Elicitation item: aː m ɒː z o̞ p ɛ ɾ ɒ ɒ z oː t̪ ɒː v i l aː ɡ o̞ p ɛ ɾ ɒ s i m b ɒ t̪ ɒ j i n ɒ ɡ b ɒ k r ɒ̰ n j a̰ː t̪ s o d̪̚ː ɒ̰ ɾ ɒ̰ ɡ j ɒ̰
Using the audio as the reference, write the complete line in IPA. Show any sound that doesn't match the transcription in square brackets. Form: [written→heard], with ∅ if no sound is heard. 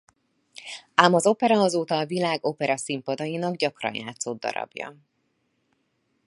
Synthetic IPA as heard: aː m [ɒː→ɒ] z o̞ p ɛ ɾ ɒ ɒ z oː t̪ ɒː v i l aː ɡ o̞ p ɛ ɾ ɒ s i m [b→p] ɒ [t̪→d̪] ɒ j i n ɒ ɡ [b→ɟ] ɒ k r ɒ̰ n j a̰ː t̪ s o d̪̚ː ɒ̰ ɾ ɒ̰ [ɡ→b] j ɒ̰